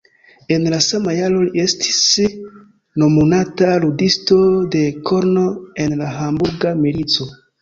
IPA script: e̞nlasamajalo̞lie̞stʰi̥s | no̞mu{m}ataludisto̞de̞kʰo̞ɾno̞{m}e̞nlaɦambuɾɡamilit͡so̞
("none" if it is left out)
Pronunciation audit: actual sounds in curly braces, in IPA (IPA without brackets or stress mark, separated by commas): n, none